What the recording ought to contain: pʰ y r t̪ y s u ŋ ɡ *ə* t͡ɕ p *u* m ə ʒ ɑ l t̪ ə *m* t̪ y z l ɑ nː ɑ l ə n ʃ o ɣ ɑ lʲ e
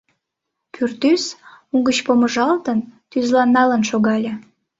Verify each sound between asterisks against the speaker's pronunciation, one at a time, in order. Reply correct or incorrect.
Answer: correct, incorrect: o, incorrect: n

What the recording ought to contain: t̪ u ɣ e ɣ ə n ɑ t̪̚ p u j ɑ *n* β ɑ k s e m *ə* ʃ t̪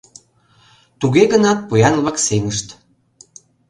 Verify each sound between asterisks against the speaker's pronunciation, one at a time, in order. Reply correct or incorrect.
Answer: correct, correct

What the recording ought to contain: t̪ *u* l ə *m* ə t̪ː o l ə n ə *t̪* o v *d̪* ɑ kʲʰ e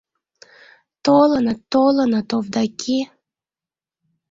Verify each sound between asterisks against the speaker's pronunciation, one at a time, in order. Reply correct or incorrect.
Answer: incorrect: o, incorrect: n, correct, correct

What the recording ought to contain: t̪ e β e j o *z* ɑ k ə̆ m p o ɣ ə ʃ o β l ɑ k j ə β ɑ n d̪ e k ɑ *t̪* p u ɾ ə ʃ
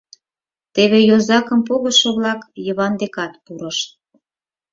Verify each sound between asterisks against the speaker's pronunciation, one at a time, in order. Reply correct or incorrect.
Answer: correct, correct

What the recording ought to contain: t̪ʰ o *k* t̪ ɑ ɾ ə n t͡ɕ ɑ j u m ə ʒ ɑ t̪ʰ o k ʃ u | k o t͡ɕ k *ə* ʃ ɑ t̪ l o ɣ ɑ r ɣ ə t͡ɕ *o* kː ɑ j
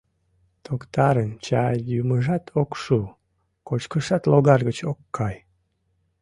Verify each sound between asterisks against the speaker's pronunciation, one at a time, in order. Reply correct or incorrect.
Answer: correct, correct, correct

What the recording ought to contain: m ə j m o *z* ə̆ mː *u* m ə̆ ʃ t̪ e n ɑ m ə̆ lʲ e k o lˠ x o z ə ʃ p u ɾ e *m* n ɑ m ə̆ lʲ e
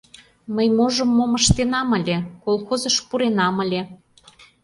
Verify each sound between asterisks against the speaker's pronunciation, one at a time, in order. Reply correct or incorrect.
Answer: incorrect: ʒ, incorrect: o, incorrect: none

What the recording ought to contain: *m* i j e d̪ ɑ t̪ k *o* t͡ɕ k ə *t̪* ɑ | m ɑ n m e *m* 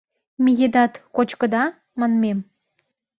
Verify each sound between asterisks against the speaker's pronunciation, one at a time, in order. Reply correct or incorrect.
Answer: correct, correct, incorrect: d̪, correct

